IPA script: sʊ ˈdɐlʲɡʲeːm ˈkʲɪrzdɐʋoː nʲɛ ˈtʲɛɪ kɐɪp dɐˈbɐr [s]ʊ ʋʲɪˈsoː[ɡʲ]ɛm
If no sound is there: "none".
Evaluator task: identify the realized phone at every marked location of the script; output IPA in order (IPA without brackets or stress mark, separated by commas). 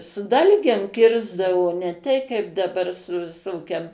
s, kʲ